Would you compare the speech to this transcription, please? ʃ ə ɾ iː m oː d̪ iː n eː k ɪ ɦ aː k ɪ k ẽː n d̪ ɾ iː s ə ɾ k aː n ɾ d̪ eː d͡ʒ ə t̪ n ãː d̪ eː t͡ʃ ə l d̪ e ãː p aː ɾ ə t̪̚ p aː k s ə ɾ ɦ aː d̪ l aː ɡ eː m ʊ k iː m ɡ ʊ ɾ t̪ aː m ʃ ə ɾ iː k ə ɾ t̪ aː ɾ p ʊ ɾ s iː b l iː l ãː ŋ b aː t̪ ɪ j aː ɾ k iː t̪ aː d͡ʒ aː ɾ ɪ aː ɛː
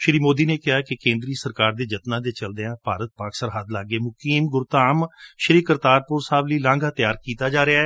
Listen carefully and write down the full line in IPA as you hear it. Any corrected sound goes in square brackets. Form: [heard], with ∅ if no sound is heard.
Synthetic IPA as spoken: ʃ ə ɾ iː m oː d̪ iː n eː k ɪ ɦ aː k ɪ k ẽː n d̪ ɾ iː s ə ɾ k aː [∅] ɾ d̪ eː d͡ʒ ə t̪ n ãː d̪ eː t͡ʃ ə l d̪ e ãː p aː ɾ ə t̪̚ p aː k s ə ɾ ɦ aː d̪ l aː ɡ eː m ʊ k iː m ɡ ʊ ɾ t̪ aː m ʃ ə ɾ iː k ə ɾ t̪ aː ɾ p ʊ ɾ s [aː] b l iː l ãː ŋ [ɡ] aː t̪ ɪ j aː ɾ k iː t̪ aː d͡ʒ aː ɾ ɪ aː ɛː